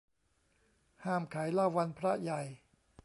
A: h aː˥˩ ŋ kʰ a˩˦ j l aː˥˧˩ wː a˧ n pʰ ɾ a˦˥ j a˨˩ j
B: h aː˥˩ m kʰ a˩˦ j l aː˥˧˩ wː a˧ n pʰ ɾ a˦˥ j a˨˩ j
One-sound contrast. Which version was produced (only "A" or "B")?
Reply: B